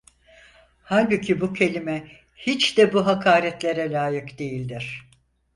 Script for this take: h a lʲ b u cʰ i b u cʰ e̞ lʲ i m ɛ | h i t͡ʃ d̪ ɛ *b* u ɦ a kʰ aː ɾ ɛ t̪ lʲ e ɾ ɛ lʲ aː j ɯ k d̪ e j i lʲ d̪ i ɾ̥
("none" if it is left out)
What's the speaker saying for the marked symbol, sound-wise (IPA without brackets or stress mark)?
b